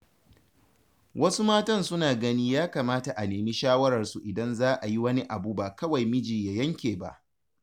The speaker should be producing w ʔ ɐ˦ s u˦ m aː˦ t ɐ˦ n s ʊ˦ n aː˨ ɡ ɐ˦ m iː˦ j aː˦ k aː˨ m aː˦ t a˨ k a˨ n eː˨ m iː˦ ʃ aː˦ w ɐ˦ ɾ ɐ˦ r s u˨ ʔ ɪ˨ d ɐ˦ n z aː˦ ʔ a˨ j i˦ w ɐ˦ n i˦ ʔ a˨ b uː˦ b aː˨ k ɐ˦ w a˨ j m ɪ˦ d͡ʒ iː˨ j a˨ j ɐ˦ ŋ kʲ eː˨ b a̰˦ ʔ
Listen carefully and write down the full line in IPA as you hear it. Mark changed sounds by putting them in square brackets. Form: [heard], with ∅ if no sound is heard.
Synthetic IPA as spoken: w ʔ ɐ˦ s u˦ m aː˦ t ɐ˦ n s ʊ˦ n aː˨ ɡ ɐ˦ [n] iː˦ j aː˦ k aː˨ m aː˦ t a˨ [ʔ] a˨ n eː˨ m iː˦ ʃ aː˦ w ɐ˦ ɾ [ɐ˨] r s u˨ ʔ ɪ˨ d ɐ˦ n z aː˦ ʔ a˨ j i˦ w ɐ˦ n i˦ ʔ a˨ b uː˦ b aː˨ k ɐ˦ w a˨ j m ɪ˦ d͡ʒ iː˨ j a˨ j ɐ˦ ŋ kʲ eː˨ b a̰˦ ʔ